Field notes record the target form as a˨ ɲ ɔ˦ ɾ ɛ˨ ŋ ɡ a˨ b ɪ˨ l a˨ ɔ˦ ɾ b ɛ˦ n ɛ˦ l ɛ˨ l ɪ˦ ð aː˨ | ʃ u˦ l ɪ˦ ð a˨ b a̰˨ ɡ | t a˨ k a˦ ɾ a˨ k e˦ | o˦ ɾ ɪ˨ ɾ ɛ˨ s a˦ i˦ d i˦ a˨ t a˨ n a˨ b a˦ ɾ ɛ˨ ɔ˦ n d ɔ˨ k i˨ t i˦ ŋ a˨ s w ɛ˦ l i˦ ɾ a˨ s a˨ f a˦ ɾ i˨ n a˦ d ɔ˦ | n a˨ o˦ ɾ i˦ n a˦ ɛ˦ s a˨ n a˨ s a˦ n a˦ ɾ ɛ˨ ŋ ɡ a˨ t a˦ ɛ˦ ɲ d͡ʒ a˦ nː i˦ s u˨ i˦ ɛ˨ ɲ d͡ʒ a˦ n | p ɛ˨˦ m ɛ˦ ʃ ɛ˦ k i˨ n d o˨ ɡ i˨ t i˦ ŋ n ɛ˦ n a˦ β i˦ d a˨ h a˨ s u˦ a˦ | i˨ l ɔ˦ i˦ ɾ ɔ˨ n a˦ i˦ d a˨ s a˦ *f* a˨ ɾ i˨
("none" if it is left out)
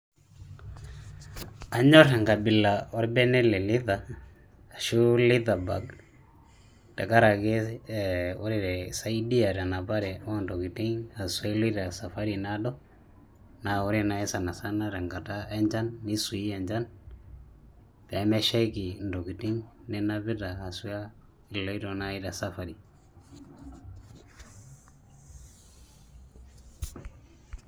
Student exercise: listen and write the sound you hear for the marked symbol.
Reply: f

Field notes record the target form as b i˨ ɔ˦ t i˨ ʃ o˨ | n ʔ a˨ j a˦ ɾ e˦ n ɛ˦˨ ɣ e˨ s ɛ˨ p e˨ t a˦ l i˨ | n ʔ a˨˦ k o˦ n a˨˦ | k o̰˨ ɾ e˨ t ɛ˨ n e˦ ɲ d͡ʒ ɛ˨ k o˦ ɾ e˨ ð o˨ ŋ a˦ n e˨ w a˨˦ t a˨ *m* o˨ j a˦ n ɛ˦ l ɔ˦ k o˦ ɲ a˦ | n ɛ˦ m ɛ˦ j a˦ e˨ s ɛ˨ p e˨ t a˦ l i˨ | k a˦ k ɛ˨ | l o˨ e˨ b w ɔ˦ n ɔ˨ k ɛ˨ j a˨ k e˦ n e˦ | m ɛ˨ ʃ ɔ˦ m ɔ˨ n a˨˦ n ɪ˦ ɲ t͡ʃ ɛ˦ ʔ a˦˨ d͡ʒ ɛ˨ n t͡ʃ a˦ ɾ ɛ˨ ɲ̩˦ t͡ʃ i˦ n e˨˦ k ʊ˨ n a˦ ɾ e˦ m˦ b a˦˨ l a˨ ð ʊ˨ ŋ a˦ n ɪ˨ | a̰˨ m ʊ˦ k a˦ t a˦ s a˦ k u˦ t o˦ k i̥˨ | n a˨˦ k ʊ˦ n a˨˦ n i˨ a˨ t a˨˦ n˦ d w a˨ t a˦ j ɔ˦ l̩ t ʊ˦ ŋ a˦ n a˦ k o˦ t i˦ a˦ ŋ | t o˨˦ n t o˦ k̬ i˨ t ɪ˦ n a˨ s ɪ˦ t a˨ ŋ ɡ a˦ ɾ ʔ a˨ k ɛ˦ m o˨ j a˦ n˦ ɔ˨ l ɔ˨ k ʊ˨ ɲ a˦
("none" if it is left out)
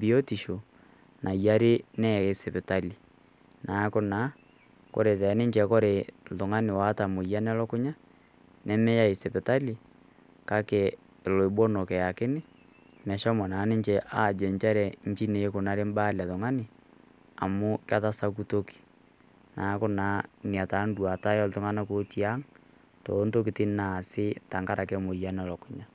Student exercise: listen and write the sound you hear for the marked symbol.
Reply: m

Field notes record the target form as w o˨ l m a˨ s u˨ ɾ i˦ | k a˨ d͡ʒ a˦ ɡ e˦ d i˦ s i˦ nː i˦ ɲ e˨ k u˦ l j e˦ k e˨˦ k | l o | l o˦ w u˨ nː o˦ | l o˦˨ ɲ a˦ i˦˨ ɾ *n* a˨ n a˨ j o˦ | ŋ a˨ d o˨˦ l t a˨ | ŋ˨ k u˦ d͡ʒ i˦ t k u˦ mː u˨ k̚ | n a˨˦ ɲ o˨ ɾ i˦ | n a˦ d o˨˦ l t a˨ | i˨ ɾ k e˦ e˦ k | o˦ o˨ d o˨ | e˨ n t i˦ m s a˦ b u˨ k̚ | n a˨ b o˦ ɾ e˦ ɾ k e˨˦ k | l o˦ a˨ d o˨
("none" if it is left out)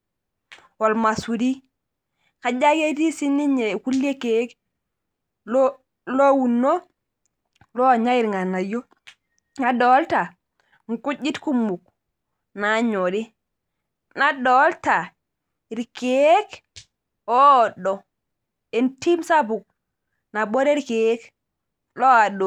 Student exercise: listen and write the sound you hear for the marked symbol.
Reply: ŋ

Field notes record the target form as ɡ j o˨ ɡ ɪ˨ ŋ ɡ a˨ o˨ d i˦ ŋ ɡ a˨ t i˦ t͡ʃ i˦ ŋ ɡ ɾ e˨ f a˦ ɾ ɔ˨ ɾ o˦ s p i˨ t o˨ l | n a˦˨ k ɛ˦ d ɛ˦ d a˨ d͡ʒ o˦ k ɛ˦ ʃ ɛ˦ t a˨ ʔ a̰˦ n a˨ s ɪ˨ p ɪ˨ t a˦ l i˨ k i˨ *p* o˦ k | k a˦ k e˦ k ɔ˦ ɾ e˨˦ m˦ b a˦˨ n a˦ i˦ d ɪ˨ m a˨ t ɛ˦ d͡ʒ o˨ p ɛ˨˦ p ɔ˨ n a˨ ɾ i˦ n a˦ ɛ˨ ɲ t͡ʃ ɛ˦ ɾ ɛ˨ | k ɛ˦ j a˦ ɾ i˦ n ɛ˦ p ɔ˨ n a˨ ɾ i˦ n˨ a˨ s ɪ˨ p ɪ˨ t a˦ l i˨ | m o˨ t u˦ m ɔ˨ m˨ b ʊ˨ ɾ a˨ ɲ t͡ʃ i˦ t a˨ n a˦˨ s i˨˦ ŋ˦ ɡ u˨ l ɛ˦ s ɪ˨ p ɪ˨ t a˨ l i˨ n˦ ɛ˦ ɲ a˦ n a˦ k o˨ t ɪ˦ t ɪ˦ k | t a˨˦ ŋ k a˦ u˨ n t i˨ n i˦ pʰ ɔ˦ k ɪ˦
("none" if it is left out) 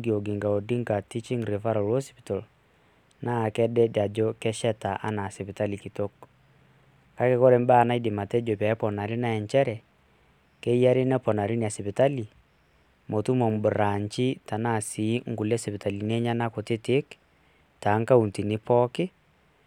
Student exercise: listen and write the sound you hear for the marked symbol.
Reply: t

